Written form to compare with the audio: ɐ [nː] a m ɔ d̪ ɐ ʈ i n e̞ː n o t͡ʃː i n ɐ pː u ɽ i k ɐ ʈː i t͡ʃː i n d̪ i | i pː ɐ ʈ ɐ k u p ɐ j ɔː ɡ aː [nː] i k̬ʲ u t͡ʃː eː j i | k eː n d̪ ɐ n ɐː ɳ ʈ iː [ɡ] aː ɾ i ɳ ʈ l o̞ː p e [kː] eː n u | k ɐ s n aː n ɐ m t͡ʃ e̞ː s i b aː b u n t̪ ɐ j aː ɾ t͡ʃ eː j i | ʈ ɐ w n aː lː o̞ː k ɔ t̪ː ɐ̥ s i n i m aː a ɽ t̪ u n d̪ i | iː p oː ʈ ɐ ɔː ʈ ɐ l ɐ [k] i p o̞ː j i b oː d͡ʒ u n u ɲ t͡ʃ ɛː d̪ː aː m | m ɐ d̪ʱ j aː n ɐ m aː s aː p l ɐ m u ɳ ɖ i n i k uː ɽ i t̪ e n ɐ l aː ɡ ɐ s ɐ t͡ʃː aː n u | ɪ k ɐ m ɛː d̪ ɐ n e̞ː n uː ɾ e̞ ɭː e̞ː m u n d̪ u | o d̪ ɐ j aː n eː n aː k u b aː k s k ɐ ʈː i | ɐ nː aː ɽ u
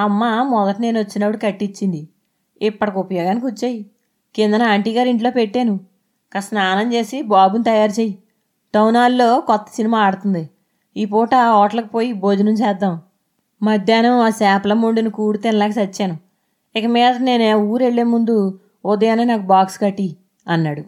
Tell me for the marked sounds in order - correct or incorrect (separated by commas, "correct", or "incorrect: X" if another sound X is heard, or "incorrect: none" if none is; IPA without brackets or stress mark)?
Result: incorrect: mː, incorrect: n, correct, incorrect: ʈː, correct